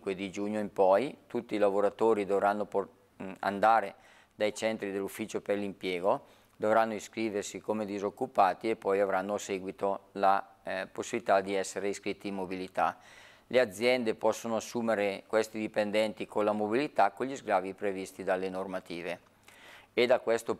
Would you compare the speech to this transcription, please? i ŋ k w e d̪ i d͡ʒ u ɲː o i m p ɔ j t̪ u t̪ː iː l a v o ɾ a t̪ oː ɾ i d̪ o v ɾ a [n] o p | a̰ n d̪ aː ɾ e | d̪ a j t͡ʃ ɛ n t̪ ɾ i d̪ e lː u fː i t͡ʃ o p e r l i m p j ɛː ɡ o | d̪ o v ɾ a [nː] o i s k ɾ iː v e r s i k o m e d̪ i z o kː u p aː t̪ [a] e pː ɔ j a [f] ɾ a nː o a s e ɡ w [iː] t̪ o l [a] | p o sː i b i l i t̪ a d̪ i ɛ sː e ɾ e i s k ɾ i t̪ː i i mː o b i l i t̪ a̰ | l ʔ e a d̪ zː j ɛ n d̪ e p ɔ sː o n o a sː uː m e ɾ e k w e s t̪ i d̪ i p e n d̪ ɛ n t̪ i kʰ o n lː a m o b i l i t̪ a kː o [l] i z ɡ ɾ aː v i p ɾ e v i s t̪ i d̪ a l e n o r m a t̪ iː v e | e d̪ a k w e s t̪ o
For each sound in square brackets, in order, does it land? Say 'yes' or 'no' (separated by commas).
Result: no, yes, no, no, no, yes, no